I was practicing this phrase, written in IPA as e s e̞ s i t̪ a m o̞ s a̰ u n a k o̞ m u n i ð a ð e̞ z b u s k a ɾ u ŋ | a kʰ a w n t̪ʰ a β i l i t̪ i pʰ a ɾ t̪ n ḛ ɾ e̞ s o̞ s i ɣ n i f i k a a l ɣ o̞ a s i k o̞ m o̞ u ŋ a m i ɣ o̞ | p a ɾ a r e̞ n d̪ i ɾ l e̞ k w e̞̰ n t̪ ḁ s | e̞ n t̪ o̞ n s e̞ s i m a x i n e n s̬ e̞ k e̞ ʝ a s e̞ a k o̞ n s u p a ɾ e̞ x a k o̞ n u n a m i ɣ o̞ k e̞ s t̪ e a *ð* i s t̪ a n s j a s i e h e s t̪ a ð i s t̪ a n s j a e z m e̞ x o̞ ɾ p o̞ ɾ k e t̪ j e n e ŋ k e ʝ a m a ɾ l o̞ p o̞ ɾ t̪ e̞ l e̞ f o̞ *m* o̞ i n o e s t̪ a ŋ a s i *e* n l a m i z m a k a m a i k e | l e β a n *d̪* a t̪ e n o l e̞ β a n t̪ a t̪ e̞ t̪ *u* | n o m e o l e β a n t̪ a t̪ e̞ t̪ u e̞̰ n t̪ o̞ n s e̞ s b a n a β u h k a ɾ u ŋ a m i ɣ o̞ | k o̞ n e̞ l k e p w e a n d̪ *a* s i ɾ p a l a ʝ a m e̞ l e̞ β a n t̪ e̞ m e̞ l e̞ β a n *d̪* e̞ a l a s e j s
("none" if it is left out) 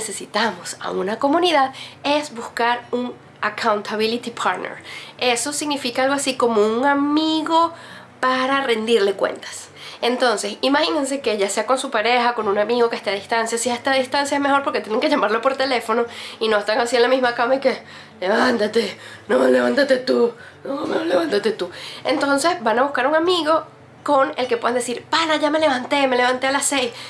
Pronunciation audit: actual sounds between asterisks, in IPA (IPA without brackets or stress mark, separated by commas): ð, n, e, t̪, u, e, t̪